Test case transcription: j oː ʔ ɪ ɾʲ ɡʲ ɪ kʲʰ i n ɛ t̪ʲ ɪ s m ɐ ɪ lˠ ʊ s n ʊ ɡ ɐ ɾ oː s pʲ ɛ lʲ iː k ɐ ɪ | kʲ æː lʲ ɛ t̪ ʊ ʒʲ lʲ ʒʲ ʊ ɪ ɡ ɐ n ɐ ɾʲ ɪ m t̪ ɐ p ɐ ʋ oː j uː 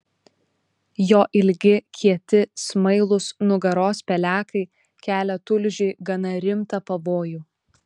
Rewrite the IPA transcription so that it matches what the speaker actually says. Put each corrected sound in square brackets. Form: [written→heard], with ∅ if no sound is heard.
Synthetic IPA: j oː ʔ ɪ [ɾʲ→lʲ] ɡʲ ɪ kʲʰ i [n→∅] ɛ t̪ʲ ɪ s m ɐ ɪ lˠ ʊ s n ʊ ɡ ɐ ɾ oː s pʲ ɛ lʲ [iː→æː] k ɐ ɪ | kʲ æː lʲ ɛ t̪ ʊ [ʒʲ→∅] lʲ ʒʲ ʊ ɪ ɡ ɐ n ɐ ɾʲ ɪ m t̪ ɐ p ɐ ʋ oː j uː